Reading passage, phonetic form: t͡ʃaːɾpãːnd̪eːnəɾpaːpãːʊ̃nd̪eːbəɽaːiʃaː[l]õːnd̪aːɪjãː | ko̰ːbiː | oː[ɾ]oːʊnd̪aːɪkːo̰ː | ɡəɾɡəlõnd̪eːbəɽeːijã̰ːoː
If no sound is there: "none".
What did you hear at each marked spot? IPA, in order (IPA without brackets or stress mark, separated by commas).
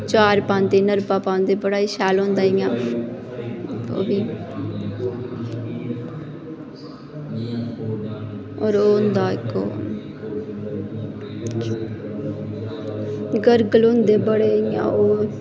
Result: l, ɾ